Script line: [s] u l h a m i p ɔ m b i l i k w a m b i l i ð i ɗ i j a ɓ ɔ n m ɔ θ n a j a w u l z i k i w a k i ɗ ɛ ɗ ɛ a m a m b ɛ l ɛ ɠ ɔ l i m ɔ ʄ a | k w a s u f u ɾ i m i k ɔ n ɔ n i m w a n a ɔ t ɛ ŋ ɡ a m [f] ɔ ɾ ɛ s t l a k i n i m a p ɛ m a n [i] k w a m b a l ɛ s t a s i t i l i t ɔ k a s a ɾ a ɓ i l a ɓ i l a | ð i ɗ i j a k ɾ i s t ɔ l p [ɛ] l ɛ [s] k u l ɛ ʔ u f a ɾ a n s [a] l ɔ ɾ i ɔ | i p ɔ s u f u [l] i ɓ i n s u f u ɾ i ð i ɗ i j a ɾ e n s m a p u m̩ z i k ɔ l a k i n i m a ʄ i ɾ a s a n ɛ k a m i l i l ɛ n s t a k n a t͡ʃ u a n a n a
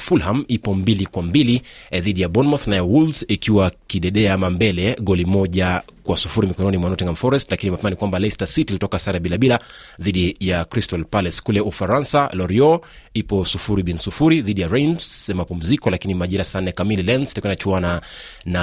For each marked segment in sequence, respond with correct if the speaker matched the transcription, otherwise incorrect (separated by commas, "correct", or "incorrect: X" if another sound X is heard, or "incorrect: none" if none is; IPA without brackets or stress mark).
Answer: incorrect: f, correct, correct, incorrect: a, correct, correct, incorrect: ɾ